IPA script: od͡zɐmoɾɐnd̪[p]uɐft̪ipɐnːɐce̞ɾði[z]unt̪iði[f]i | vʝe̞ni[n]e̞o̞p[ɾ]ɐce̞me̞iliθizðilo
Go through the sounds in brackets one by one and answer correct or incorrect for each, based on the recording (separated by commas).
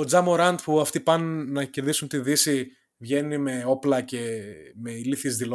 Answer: correct, incorrect, incorrect, incorrect, incorrect